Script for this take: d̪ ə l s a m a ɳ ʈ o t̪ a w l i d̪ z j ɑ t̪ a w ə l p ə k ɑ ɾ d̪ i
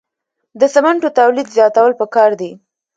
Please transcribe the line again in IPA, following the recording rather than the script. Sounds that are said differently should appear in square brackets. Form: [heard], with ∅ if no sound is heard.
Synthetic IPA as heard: d̪ ə [∅] s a m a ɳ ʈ o t̪ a w l i d̪ z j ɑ t̪ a w ə l p ə k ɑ ɾ d̪ i